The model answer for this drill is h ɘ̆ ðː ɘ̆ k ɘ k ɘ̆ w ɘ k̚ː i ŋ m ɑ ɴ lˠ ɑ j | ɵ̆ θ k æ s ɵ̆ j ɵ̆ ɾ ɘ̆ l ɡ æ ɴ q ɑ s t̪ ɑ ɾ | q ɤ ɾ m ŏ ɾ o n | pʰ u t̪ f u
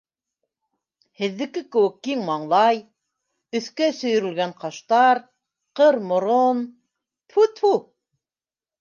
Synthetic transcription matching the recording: h ɘ̆ ðː ɘ̆ k ɘ k ɘ̆ w ɘ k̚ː i ŋ m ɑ ɴ lˠ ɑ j | ɵ̆ θ k æ s ɵ̆ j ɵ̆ ɾ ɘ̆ l ɡ æ ɴ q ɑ ʃ t̪ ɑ ɾ | q ɤ ɾ m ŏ ɾ o n | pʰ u t̪ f u

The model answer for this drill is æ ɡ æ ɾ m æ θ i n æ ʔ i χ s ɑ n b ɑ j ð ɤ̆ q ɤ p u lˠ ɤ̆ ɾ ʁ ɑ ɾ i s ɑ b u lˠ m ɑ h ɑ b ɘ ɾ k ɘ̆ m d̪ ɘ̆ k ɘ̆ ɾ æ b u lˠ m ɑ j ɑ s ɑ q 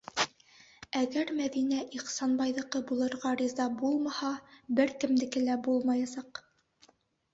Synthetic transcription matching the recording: æ ɡ æ ɾ m æ ð i n æ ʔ i χ s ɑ n b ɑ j ð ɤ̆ q ɤ b u lˠ ɤ̆ ɾ ʁ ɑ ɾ i z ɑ b u lˠ m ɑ h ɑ b ɘ ɾ k ɘ̆ m d̪ ɘ̆ k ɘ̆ l æ b u lˠ m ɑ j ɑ s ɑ q

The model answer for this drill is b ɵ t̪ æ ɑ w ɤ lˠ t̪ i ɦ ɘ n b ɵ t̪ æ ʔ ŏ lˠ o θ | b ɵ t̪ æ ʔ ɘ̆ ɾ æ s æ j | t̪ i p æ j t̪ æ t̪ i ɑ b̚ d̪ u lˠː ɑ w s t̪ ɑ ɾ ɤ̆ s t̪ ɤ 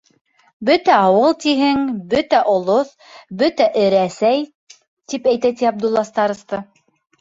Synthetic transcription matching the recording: b ɵ t̪ æ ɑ w ɤ lˠ t̪ i ɦ ɘ ŋ b ɵ t̪ æ ʔ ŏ lˠ o θ | b ɵ t̪ æ ʔ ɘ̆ ɾ æ s æ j | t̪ i p æ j t̪ æ t̪ i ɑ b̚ d̪ u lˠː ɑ s t̪ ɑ ɾ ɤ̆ s t̪ ɤ

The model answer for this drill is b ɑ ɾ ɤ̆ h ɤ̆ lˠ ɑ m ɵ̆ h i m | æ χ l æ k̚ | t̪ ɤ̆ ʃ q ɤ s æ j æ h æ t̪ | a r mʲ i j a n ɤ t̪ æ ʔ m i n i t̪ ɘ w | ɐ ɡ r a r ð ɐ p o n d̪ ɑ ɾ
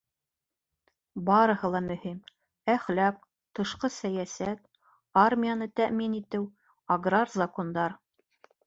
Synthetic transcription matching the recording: b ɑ ɾ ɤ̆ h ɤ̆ lˠ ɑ m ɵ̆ h i m | æ χ l æ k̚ | t̪ ɤ̆ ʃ q ɤ s æ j æ s æ t̪ | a r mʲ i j a n ɤ t̪ æ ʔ m i n i t̪ ɘ w | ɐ ɡ r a r z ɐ k o n d̪ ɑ ɾ

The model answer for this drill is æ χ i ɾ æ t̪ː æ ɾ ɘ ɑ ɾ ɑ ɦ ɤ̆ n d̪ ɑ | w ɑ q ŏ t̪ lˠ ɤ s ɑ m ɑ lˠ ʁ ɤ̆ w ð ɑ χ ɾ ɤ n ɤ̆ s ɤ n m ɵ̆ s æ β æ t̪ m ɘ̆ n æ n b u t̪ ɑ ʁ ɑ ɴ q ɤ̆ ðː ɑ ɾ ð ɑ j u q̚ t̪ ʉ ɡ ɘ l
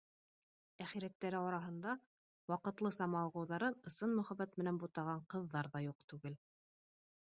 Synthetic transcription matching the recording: æ χ i ɾ æ t̪ː æ ɾ ɘ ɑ ɾ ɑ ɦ ɤ̆ n d̪ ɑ | w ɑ q ɤ̆ t̪ lˠ ɤ s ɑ m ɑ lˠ ʁ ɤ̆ w ð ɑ ɾ ɤ n ɤ̆ s ɤ n m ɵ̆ χ æ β æ t̪ m ɘ̆ n æ n b u t̪ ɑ ʁ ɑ ɴ q ɤ̆ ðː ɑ ɾ ð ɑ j u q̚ t̪ ʉ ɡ ɘ l

